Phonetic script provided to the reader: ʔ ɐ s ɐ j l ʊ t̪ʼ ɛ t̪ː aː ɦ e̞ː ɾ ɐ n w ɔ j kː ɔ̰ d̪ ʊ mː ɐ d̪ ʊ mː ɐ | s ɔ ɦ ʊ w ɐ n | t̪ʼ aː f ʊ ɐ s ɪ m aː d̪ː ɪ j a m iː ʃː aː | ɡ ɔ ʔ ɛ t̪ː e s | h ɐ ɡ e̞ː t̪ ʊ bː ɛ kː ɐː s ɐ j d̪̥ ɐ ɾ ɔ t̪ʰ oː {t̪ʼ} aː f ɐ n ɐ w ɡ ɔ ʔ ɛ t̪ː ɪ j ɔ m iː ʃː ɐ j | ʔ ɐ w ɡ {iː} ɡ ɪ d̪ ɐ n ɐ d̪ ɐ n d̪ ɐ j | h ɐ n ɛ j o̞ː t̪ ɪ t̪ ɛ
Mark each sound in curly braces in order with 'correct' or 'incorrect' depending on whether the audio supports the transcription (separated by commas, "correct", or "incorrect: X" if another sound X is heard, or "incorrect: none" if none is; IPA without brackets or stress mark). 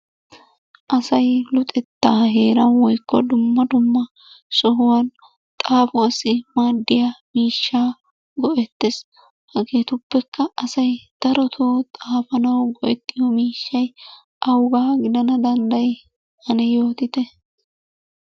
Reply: correct, incorrect: aː